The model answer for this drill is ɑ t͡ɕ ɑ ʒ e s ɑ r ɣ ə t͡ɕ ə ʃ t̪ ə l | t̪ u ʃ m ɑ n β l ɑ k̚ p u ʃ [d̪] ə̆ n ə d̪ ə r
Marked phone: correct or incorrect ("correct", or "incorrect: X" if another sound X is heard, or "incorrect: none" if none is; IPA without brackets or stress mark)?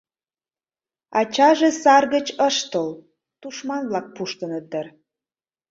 incorrect: t̪